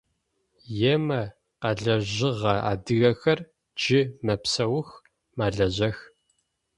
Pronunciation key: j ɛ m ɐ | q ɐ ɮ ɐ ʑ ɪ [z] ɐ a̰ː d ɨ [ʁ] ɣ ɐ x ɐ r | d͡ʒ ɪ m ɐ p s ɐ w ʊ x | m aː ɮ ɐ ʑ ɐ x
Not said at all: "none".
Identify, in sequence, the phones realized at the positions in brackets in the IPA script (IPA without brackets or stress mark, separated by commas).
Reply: ʁ, none